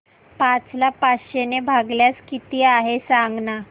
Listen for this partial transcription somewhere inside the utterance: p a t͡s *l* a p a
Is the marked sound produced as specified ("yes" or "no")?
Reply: yes